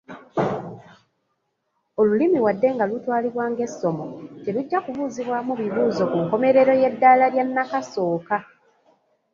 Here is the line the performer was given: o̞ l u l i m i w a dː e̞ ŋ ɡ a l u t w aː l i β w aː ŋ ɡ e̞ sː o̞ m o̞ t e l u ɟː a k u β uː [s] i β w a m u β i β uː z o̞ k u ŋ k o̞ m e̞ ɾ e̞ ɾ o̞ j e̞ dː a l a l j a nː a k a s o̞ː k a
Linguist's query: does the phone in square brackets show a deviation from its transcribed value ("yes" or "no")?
yes